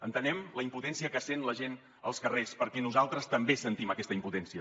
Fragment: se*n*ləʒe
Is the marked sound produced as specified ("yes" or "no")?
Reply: yes